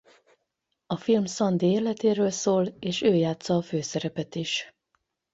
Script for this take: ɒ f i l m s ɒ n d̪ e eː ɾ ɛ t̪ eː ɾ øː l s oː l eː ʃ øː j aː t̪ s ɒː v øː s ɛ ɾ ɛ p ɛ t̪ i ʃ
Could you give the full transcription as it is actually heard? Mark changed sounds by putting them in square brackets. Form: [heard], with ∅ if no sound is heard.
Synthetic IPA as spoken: ɒ f i l m s ɒ n d̪ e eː [l] ɛ t̪ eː ɾ øː l s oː l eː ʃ øː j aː t̪ s ɒː [f] øː s ɛ ɾ ɛ p ɛ t̪ i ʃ